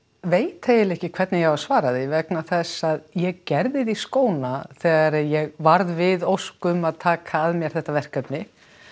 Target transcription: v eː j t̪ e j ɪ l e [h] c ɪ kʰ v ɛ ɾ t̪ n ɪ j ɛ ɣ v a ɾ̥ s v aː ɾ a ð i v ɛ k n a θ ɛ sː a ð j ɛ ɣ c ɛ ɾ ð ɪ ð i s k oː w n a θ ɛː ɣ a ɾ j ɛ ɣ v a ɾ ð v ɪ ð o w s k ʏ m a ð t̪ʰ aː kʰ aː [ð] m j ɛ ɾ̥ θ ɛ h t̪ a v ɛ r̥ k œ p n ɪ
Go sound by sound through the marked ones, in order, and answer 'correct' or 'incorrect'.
correct, correct

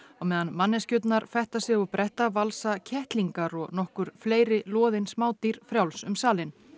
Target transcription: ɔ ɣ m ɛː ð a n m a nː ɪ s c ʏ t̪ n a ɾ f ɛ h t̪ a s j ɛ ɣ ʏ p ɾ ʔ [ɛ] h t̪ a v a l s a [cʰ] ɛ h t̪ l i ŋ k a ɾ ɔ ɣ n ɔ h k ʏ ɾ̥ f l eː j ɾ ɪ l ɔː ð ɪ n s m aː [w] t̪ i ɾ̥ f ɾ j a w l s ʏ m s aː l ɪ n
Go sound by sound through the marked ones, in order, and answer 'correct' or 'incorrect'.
correct, correct, correct

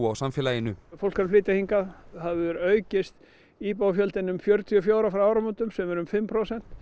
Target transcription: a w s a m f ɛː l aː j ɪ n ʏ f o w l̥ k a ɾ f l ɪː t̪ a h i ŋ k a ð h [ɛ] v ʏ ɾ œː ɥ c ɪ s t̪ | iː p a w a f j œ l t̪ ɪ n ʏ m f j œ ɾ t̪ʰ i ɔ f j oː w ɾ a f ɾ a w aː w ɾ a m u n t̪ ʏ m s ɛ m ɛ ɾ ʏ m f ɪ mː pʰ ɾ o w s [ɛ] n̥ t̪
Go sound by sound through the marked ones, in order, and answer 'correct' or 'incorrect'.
incorrect: a, correct

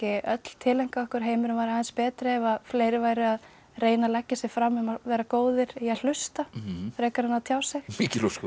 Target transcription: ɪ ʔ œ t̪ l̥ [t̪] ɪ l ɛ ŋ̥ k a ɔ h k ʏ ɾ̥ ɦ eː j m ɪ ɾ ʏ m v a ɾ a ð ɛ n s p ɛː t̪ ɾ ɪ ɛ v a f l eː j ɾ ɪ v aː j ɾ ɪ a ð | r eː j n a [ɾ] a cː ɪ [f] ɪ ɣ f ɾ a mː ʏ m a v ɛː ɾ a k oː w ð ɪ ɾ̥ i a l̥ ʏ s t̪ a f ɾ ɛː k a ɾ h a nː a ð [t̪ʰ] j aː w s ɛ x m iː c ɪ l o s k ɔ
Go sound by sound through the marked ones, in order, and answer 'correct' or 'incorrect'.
incorrect: t̪ʰ, incorrect: l, incorrect: s, correct

